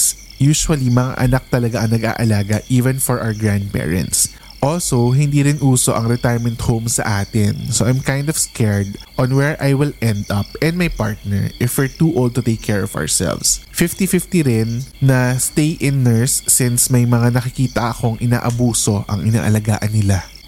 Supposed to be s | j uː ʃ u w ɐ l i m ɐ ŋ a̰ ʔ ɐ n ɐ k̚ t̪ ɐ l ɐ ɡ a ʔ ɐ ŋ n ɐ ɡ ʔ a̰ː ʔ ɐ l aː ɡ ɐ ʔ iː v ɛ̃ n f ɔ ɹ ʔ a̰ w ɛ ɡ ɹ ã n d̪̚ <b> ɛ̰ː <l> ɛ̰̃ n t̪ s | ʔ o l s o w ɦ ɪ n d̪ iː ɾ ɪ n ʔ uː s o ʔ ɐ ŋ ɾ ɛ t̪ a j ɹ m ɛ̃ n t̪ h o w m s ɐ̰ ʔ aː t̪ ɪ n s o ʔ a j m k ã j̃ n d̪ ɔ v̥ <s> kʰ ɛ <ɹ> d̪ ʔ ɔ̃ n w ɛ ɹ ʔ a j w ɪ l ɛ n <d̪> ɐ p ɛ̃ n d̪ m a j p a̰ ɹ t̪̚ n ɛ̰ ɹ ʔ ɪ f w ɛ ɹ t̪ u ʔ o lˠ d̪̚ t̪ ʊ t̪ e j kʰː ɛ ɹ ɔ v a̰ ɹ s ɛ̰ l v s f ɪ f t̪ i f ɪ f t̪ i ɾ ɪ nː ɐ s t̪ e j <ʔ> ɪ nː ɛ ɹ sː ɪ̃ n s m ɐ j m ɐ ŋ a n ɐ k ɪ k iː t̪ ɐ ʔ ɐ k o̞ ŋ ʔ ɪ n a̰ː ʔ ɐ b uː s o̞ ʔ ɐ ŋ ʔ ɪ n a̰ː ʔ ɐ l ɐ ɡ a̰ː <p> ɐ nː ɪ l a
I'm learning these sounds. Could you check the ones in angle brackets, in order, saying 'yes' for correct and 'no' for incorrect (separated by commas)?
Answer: no, no, yes, yes, yes, yes, no